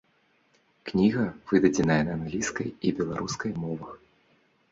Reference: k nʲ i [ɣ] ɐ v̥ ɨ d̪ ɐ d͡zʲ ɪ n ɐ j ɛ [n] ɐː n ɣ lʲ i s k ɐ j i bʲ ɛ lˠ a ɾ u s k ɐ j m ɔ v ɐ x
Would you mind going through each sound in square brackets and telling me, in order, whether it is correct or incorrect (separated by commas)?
correct, correct